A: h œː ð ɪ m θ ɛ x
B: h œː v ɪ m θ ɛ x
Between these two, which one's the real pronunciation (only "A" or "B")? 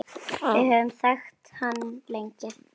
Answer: B